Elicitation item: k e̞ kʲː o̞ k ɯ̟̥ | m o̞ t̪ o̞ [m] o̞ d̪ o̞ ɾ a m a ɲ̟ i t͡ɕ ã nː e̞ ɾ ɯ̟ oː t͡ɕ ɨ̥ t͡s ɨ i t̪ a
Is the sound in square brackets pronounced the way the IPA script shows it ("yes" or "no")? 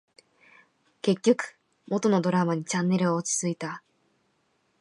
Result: no